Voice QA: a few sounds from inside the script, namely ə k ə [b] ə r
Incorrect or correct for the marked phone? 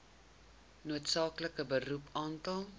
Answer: correct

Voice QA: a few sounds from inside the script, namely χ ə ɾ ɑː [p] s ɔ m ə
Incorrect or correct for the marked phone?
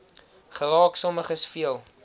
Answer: incorrect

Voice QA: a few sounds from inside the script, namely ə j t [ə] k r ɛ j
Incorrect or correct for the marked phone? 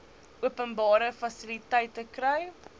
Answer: correct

